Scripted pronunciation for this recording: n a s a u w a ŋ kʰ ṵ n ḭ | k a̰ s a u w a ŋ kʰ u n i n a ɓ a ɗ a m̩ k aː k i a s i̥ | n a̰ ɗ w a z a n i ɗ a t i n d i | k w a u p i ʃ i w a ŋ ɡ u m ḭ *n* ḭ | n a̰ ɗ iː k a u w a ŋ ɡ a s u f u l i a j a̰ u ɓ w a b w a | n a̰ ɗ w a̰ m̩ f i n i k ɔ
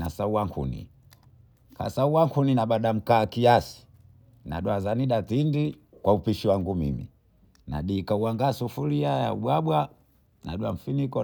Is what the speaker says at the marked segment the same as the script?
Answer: no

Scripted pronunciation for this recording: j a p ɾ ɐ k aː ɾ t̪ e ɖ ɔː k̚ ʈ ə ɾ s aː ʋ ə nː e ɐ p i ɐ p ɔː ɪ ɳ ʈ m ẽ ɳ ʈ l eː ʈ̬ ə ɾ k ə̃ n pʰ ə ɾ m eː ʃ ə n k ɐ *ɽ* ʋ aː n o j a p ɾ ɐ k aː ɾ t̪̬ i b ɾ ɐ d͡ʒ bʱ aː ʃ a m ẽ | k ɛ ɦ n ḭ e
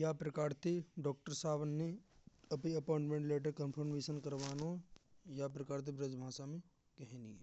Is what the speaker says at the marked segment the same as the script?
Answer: no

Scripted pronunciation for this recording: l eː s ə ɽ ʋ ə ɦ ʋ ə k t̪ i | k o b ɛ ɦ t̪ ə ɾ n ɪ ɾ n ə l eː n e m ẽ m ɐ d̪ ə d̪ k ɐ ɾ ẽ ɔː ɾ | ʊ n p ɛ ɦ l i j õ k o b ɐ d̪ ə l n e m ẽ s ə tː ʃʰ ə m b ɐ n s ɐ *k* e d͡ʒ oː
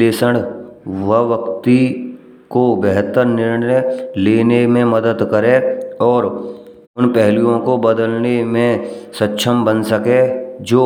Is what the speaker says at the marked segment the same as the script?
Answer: yes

